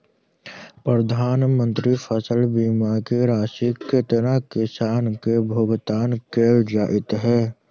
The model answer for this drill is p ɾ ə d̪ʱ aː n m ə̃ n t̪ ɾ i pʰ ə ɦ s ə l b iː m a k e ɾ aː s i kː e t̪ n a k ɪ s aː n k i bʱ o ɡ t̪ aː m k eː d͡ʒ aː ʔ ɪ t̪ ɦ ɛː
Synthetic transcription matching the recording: p ɾ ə d̪ʱ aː n m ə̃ n t̪ ɾ i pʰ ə s ə l b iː m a k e ɾ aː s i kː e t̪ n a k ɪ s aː n k e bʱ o ɡ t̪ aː n k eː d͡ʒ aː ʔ ɪ t̪ ɦ ɛː